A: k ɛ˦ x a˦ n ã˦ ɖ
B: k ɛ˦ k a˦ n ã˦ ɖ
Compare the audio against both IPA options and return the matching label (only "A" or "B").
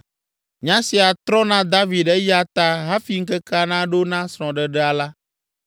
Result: B